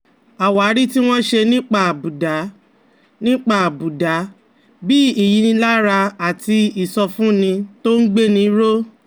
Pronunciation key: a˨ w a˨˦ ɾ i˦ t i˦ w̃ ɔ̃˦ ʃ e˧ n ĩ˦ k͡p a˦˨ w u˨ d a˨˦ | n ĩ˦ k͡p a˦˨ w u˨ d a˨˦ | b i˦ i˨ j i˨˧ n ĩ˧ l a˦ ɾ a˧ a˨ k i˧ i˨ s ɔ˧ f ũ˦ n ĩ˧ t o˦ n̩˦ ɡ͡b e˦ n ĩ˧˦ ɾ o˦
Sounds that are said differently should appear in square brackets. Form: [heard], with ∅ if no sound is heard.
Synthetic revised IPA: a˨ w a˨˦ ɾ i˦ t i˦ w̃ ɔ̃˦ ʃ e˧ n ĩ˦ k͡p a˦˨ [b] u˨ d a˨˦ | n ĩ˦ k͡p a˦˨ [b] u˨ d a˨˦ | b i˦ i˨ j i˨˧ n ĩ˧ l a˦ ɾ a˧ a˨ [t] i˧ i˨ s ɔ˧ f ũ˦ n ĩ˧ t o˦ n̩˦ ɡ͡b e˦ n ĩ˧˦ ɾ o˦